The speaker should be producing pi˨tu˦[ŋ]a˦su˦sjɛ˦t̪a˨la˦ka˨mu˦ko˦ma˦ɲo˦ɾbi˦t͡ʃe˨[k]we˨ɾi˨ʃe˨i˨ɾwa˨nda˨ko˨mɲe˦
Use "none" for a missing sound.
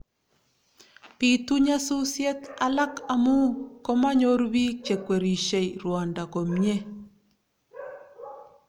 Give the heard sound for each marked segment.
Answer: ɲ, k

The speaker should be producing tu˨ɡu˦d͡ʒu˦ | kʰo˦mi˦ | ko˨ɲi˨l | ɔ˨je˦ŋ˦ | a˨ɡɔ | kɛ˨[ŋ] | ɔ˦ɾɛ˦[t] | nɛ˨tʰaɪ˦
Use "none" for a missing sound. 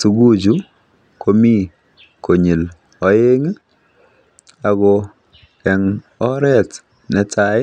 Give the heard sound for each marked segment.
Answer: ŋ, t

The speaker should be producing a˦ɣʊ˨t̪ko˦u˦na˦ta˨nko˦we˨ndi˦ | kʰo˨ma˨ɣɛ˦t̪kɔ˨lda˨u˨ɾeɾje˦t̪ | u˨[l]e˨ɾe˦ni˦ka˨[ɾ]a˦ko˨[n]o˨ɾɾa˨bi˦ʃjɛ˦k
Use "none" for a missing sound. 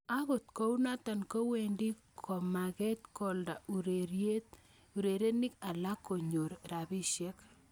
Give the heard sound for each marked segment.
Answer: ɾ, l, ɲ

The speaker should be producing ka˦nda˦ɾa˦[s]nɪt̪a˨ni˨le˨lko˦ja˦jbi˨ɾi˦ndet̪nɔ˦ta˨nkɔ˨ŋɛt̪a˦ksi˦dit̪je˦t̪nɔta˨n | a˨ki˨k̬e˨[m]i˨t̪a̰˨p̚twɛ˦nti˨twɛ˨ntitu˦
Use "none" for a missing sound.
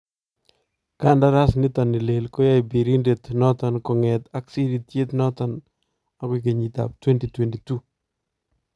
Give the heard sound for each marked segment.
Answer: s, ɲ

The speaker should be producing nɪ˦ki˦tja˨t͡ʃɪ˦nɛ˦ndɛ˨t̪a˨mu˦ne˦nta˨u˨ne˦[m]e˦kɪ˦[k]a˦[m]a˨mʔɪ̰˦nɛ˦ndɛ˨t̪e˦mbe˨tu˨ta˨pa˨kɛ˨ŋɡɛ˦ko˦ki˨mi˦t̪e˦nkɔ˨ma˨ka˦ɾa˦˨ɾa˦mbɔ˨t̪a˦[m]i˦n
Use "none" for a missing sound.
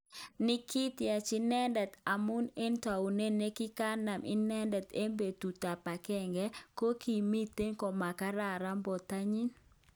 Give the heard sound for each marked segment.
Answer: n, k, n, ɲ

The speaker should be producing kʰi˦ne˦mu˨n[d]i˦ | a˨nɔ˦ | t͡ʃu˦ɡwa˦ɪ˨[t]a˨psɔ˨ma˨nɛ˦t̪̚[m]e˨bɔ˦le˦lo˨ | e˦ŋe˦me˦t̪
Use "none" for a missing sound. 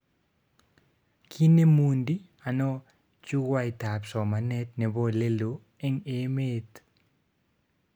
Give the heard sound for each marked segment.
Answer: d, t, n

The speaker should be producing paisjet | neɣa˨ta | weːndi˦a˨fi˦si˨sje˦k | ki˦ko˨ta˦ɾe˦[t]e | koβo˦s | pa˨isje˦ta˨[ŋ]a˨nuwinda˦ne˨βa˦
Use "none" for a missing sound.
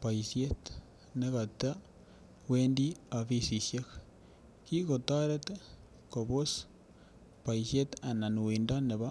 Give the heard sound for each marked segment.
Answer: t, n

